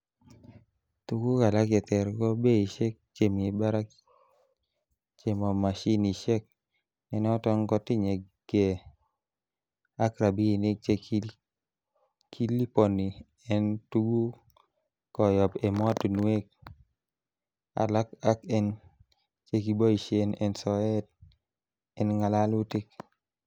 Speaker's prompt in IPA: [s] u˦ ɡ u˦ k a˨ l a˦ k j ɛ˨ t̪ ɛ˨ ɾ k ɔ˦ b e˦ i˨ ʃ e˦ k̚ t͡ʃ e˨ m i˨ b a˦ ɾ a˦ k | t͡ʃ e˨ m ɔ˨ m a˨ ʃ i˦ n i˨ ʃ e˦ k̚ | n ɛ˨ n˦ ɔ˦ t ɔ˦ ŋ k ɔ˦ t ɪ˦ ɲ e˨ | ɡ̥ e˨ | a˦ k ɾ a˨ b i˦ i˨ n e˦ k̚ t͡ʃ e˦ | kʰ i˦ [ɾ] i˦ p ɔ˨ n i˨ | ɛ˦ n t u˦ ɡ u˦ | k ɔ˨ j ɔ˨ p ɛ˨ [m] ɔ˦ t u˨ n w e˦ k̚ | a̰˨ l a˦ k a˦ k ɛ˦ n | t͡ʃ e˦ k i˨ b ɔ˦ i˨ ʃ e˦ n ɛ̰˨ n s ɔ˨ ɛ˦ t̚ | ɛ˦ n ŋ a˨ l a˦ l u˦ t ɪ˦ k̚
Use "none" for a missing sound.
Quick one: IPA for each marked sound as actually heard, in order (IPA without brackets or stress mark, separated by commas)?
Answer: t, l, m